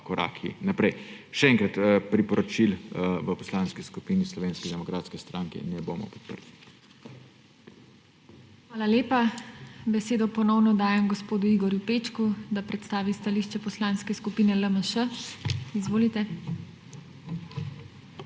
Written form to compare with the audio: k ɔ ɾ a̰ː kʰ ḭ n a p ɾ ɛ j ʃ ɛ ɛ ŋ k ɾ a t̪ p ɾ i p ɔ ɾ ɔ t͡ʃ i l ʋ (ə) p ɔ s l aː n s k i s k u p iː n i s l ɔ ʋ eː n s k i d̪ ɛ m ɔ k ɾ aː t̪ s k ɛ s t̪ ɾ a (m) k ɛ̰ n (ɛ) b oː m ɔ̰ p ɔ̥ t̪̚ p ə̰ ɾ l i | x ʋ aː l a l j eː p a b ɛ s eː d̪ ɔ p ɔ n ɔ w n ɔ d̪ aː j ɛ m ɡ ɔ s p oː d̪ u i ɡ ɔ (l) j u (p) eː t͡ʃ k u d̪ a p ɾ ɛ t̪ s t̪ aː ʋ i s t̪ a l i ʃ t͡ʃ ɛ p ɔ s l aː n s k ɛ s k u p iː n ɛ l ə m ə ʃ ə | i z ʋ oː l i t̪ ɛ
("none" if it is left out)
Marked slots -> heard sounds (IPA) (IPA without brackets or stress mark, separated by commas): ə, ŋ, ɛ, ɾ, p